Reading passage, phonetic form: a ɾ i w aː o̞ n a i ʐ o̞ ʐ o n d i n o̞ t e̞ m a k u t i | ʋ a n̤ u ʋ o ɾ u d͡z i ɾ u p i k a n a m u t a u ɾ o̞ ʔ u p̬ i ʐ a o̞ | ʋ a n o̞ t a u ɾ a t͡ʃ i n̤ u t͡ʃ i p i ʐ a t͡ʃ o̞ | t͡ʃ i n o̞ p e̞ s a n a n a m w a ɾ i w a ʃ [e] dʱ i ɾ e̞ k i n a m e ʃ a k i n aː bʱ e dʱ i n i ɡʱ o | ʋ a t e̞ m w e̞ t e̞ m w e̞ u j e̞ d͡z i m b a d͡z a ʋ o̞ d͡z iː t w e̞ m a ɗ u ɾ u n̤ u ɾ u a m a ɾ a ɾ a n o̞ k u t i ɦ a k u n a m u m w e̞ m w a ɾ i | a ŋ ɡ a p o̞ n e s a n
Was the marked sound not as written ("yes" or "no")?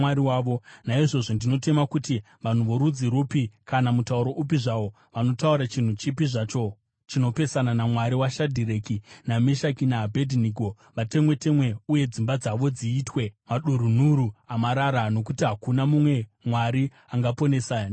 yes